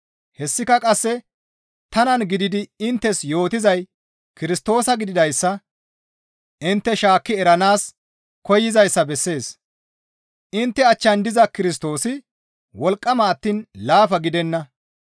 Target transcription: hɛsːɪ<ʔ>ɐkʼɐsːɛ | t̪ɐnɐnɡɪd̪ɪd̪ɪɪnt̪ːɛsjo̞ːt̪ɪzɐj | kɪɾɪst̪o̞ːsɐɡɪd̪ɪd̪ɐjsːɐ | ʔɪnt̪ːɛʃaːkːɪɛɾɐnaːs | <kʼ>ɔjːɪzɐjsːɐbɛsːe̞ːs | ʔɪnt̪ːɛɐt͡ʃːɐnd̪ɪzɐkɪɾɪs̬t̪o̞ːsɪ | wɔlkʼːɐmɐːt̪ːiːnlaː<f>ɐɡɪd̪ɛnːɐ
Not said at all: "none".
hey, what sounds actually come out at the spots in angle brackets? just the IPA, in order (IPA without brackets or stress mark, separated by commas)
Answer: k, k, f